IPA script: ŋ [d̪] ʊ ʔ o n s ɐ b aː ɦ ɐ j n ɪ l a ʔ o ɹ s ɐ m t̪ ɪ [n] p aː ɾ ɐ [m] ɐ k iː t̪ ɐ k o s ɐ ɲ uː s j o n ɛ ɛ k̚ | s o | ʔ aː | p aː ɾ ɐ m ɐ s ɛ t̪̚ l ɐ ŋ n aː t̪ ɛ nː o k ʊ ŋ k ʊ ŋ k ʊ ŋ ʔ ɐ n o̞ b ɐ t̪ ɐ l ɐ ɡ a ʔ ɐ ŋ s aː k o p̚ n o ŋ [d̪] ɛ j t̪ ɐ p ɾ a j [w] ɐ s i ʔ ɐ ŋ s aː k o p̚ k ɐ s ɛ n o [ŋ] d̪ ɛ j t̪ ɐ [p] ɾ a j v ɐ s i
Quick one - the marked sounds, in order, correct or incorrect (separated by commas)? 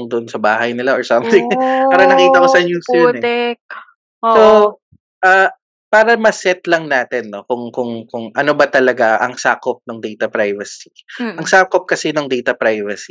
correct, incorrect, incorrect, correct, incorrect, correct, correct